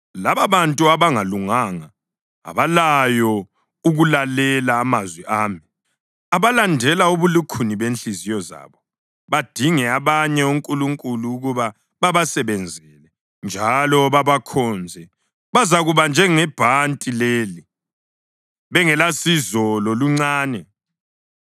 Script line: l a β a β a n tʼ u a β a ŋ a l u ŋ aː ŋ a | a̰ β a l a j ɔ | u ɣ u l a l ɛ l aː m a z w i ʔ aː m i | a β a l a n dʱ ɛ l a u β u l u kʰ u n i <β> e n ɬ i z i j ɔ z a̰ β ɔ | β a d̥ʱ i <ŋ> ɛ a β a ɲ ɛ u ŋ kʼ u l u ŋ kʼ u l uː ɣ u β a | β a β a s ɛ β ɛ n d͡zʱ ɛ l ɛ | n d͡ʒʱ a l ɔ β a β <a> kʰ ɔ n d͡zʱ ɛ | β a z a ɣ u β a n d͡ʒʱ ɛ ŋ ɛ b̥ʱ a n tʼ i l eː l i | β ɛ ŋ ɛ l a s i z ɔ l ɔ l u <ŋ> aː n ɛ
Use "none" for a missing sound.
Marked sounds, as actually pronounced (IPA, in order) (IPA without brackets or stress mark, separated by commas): β, ŋ, a, ŋ͡ǀ